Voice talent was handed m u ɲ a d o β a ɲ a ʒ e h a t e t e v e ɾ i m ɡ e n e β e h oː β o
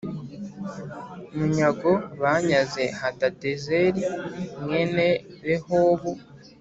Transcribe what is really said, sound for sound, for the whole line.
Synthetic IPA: m u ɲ a ɡ o β a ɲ a z e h a t a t e z e ɾ i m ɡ e n e β e h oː β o